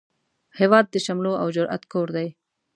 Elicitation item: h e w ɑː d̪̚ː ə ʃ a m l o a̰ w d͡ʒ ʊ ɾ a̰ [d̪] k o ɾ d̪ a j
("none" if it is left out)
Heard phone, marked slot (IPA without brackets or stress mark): t̪